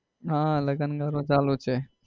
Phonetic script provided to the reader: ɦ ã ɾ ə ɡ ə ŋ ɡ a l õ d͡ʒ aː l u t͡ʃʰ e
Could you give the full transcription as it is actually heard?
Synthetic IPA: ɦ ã l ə ɡ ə n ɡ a ɾ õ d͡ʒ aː l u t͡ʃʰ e